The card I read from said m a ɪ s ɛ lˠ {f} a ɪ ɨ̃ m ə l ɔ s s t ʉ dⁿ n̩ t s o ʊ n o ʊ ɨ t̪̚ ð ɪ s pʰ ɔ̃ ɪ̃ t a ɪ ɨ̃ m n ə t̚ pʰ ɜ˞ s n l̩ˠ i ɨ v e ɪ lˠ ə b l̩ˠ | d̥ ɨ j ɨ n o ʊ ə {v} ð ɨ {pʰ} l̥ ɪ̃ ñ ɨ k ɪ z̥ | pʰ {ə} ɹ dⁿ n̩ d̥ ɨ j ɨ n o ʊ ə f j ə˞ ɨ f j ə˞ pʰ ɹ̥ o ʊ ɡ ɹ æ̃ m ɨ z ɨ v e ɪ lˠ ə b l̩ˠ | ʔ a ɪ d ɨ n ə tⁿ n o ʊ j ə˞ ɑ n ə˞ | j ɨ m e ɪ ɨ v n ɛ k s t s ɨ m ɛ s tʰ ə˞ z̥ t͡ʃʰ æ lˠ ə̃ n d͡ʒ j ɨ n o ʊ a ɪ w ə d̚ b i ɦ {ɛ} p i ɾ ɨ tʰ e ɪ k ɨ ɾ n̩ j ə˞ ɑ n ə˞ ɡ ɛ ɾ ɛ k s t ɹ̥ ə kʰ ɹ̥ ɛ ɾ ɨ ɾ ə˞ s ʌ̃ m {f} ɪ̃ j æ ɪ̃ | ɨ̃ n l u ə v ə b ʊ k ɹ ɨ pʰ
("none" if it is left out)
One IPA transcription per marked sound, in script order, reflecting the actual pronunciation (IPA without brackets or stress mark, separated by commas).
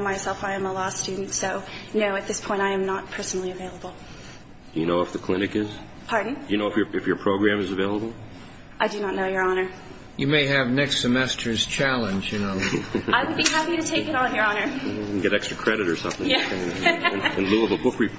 f, f, kʰ, ɑ, æ, θ